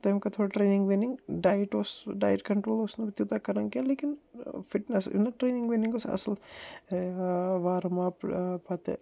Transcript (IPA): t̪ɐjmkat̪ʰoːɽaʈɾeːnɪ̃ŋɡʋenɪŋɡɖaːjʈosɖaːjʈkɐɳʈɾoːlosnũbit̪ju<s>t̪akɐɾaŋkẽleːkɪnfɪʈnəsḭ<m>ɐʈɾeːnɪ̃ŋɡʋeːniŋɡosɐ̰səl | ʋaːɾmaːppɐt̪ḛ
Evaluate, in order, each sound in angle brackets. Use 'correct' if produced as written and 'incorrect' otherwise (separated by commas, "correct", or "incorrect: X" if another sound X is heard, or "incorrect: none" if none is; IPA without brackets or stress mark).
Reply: incorrect: none, incorrect: n